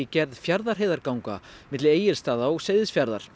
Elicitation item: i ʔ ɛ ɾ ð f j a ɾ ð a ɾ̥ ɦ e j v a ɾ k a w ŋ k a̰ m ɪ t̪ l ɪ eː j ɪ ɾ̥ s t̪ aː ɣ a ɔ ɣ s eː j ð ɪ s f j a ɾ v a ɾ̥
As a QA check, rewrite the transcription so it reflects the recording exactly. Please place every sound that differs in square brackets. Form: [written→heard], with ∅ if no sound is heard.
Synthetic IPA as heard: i [ʔ→c] ɛ ɾ ð f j a ɾ ð a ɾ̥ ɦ e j [v→ð] a ɾ k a w ŋ k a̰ m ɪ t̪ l ɪ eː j ɪ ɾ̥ s t̪ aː [ɣ→ð] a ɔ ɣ s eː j ð ɪ s f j a ɾ [v→ð] a ɾ̥